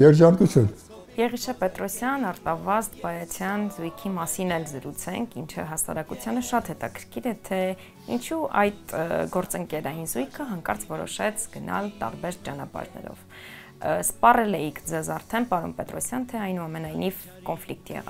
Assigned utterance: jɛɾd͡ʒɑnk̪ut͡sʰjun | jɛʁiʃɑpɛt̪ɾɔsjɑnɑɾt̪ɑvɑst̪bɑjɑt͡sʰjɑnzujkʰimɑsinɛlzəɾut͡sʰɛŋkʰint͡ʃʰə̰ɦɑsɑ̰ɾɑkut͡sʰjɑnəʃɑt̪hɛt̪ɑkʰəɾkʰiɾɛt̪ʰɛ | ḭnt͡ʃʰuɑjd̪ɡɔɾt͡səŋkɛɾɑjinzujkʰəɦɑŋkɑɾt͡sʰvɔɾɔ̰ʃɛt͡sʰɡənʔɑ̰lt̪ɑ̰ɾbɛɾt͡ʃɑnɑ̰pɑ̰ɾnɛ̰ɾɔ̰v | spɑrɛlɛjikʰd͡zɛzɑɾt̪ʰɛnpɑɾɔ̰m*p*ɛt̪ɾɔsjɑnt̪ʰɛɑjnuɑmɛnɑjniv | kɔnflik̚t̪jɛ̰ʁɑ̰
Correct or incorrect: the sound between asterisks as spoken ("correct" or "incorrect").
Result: correct